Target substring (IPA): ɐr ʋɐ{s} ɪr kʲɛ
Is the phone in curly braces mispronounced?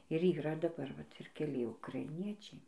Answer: yes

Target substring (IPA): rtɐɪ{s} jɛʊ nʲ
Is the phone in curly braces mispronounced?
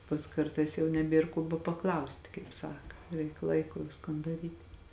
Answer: no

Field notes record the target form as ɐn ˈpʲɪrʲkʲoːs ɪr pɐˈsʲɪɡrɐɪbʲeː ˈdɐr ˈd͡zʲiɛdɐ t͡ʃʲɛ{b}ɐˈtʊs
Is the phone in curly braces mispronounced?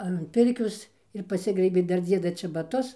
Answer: no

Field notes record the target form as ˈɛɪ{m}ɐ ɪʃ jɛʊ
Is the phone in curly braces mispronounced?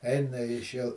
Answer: yes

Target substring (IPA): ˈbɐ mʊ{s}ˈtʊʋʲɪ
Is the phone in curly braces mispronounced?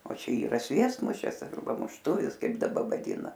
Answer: yes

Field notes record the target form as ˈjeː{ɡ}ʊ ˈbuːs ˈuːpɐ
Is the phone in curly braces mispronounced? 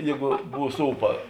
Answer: no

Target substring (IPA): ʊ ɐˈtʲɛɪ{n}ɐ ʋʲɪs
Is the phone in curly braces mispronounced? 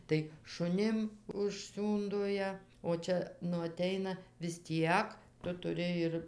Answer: no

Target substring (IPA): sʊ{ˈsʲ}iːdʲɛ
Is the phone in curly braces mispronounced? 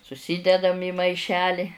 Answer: no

